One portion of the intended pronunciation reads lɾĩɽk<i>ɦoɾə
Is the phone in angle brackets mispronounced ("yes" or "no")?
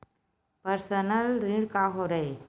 yes